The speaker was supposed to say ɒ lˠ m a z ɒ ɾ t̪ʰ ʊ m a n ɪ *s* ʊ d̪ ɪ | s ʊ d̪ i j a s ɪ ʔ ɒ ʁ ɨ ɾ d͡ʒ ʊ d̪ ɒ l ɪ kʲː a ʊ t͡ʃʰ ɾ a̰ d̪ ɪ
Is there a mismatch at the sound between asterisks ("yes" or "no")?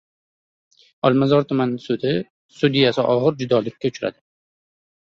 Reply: no